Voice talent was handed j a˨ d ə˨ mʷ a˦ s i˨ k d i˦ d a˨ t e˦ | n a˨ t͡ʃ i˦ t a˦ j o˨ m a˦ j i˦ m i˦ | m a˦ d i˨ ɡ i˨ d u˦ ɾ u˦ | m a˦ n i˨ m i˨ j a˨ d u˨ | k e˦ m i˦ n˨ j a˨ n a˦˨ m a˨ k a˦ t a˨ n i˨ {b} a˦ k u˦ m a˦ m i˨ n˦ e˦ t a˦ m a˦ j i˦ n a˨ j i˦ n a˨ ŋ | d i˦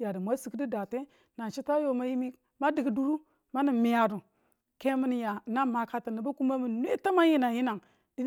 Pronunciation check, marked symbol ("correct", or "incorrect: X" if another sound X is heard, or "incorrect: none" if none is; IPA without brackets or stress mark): correct